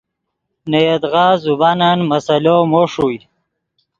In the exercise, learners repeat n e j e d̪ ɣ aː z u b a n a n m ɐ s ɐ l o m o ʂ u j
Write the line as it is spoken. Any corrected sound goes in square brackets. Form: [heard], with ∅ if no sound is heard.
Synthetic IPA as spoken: n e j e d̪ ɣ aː z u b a n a n m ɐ s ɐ l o m o ʂ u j